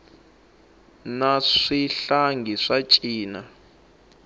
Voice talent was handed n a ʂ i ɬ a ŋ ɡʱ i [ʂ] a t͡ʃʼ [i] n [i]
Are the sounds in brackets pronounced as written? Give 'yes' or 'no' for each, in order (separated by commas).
yes, no, no